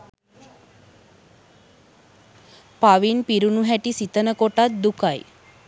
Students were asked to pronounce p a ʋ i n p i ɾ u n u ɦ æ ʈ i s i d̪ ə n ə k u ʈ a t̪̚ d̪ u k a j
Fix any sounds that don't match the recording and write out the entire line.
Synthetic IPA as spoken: p a ʋ i n p i ɾ u n u ɦ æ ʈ i s i t̪ ə n ə k o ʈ a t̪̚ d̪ u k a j